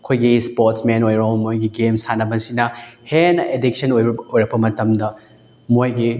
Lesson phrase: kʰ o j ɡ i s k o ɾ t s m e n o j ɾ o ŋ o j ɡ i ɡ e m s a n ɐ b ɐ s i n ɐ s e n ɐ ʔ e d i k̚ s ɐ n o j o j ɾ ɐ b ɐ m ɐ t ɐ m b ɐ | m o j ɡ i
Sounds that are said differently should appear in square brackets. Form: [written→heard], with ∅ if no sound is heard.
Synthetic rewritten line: kʰ o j ɡ i s [k→p] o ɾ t s m e n o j ɾ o [ŋ→m] o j ɡ i ɡ e m s a n ɐ b ɐ s i n ɐ [s→h] e n ɐ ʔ e d i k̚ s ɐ n o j o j ɾ ɐ b ɐ m ɐ t ɐ m [b→d] ɐ | m o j ɡ i